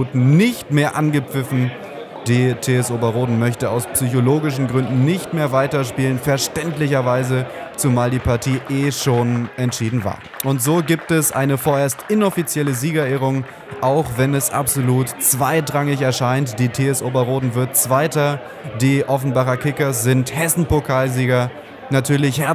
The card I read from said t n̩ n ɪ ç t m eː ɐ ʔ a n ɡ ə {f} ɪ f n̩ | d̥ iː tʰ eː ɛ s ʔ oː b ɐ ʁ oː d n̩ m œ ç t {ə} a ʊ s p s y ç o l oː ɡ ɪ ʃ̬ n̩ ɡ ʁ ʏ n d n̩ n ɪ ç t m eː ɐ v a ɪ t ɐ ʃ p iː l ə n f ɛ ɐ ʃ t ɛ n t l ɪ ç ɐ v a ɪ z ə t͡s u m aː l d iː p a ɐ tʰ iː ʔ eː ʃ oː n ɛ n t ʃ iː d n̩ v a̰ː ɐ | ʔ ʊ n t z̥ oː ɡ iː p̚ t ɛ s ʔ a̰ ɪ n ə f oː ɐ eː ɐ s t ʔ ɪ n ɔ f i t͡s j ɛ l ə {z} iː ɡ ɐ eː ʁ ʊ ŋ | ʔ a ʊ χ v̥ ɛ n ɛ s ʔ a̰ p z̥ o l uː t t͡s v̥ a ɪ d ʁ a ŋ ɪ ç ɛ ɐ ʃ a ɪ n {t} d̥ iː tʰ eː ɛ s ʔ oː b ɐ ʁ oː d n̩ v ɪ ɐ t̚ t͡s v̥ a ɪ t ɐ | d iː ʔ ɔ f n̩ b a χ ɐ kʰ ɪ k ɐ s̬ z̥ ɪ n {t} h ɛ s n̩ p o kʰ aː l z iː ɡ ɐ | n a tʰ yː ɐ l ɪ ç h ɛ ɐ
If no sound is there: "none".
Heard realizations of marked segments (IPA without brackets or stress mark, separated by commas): p͡f, ə, z, t, t